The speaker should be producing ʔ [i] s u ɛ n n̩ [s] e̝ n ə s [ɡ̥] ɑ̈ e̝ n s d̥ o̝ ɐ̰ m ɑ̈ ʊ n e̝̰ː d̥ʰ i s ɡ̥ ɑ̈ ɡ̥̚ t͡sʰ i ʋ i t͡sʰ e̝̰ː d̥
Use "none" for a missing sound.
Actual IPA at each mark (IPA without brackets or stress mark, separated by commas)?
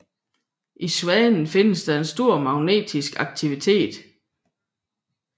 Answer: i, f, d̥